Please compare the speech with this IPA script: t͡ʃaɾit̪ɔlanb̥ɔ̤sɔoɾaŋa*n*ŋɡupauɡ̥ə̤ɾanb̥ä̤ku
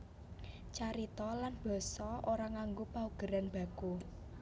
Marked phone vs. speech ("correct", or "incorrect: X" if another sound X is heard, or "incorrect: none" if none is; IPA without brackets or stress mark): incorrect: none